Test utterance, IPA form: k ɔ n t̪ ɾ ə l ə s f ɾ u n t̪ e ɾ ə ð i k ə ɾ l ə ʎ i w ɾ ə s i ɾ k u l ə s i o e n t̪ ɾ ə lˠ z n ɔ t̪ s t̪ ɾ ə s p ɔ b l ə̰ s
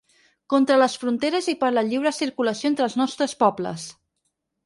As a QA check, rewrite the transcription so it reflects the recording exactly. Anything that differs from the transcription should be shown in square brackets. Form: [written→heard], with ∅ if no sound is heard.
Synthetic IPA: k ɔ n t̪ ɾ ə l ə s f ɾ u n t̪ e ɾ ə [ð→z] i [k→p] ə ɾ l ə ʎ i w ɾ ə s i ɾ k u l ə s i o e n t̪ ɾ ə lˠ z n ɔ [t̪→∅] s t̪ ɾ ə s p ɔ b l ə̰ s